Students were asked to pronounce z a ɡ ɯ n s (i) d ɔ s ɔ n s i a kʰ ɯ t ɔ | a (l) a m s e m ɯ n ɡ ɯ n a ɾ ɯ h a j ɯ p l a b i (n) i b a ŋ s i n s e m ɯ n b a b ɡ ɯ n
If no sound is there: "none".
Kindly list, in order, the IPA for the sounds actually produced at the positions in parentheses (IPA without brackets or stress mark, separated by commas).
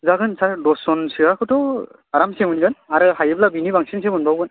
a, ɾ, n